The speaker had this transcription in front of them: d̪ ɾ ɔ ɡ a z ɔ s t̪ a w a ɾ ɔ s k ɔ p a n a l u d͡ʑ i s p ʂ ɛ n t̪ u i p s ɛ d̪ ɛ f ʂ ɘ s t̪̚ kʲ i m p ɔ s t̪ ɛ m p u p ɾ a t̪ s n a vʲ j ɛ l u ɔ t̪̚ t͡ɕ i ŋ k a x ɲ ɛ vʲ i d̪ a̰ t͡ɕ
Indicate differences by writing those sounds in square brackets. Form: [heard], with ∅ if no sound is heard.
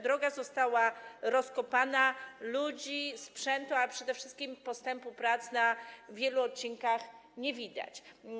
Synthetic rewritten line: d̪ ɾ ɔ ɡ a z ɔ s t̪ a w a ɾ ɔ s k ɔ p a n a l u d͡ʑ i s p ʂ ɛ n t̪ u [a] p [ʂ] ɛ d̪ ɛ f ʂ ɘ s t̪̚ kʲ i m p ɔ s t̪ ɛ m p u p ɾ a t̪ s n a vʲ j ɛ l u ɔ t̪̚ t͡ɕ i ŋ k a x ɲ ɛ vʲ i d̪ a̰ t͡ɕ